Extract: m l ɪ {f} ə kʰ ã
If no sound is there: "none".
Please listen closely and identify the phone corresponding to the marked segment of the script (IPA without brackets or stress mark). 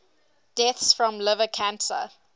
v